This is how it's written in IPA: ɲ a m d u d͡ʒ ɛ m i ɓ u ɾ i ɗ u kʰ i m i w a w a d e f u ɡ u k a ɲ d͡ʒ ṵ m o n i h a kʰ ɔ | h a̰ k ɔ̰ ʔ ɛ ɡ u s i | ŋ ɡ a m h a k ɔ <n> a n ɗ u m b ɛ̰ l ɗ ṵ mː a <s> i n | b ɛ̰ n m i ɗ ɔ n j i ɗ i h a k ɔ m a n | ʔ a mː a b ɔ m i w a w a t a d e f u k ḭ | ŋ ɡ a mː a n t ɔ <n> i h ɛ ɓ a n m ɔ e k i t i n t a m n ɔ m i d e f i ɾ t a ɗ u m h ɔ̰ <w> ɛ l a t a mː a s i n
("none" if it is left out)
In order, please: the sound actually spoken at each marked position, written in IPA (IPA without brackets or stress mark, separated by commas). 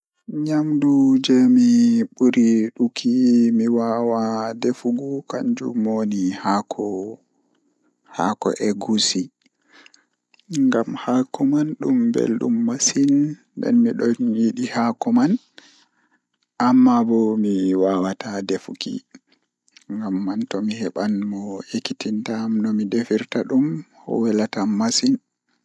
m, s, m, w